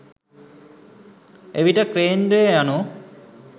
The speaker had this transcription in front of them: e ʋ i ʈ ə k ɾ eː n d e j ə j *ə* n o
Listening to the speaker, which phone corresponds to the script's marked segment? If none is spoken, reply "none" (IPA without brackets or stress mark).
a